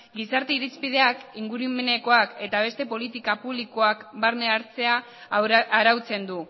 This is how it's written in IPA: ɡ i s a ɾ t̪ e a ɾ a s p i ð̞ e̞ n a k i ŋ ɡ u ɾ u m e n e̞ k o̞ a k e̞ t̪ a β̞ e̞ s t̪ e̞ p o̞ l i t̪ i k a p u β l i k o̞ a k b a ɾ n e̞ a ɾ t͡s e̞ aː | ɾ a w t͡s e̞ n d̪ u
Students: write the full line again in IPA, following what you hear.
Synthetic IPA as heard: ɡ i s a ɾ t̪ e i ɾ i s p i ð̞ e̞ a k i ŋ ɡ u ɾ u m e n e̞ k o̞ a k e̞ t̪ a β̞ e̞ s t̪ e̞ p o̞ l i t̪ i k a p u β l i k o̞ a k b a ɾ n e̞ a ɾ t͡s e̞ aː | ɾ a w t͡s e̞ n d̪ u